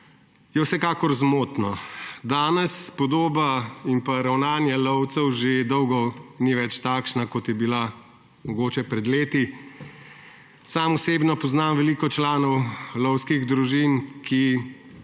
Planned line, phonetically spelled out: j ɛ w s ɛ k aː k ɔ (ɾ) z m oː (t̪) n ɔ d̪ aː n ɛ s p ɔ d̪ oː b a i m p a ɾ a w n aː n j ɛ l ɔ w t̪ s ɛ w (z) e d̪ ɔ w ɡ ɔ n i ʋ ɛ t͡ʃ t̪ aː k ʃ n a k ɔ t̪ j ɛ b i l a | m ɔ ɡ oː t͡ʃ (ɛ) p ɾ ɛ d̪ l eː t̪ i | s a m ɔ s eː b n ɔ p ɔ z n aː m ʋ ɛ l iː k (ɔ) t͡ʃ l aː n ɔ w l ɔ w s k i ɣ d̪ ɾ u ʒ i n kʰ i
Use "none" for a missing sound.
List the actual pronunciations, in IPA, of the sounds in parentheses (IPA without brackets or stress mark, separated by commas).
ɾ, t̪, ʒ, ɛ, ɔ